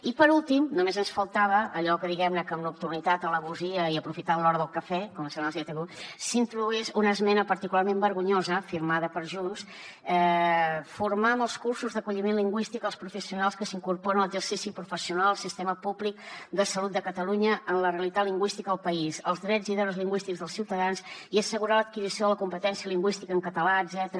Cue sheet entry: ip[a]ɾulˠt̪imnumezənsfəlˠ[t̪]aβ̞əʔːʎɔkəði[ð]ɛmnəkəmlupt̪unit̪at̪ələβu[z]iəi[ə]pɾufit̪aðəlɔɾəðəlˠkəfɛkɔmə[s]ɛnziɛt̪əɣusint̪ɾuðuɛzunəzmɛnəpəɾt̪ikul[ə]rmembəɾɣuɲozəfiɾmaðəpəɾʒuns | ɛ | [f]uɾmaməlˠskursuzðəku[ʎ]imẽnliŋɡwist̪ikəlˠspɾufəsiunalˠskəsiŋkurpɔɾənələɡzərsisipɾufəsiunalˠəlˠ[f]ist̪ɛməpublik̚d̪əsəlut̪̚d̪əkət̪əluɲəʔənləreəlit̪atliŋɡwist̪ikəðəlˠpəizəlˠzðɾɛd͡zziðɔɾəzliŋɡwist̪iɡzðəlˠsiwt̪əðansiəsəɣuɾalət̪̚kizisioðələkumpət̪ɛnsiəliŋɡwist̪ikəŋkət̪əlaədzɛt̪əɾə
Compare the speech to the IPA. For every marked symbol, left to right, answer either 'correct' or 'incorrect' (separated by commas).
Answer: incorrect, correct, incorrect, correct, correct, correct, incorrect, correct, correct, incorrect